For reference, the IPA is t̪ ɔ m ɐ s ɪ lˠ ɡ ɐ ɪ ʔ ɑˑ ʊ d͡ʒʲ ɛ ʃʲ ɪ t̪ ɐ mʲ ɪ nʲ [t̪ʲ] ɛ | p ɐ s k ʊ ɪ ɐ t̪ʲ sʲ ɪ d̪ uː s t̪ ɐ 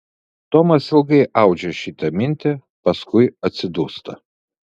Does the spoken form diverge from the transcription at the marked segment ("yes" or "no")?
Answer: no